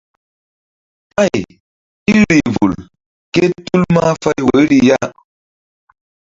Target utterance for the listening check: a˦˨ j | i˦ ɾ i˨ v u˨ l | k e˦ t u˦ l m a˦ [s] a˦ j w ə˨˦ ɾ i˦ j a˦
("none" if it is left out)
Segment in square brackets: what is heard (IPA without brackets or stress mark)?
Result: f